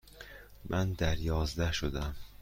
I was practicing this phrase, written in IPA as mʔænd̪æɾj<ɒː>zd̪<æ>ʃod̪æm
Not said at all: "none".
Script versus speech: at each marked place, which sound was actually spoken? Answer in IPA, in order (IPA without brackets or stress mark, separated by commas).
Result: ɒː, æ